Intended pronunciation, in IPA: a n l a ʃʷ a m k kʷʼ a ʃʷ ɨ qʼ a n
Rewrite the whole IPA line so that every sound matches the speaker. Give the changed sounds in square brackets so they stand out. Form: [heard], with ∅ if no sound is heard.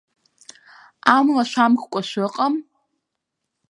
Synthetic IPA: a [m] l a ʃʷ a m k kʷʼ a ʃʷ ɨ qʼ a [m]